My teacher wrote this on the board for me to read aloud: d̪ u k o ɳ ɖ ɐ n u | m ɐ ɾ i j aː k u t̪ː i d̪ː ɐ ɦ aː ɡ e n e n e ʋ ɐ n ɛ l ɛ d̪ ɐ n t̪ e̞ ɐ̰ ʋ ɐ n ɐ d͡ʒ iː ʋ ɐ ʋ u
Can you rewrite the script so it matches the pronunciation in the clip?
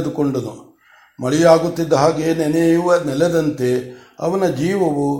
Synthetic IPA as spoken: d̪ u k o ɳ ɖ ɐ n u | m ɐ ɭ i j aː ɡ u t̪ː i d̪ː ɐ ɦ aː ɡ e n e n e ʋ ɐ n ɛ l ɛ d̪ ɐ n t̪ e̞ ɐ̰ ʋ ɐ n ɐ d͡ʒ iː ʋ ɐ ʋ u